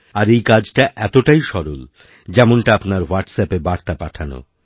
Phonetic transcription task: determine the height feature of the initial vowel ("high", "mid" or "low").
low